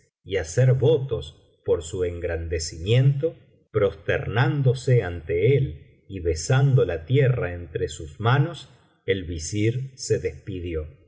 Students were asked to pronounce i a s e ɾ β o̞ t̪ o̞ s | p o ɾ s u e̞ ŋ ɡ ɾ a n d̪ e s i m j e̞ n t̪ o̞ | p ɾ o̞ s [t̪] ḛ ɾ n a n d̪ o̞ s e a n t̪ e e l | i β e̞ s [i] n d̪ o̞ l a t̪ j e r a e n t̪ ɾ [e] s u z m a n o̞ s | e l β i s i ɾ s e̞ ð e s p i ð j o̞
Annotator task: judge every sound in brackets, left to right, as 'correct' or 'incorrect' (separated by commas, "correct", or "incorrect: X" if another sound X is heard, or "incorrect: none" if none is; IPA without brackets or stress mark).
correct, incorrect: a, correct